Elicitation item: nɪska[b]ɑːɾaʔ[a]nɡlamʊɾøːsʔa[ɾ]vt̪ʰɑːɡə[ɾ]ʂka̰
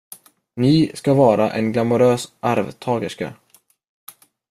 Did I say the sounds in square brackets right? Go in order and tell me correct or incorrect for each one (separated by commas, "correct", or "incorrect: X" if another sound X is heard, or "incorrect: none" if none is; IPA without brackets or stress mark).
incorrect: v, incorrect: ɛ, correct, incorrect: none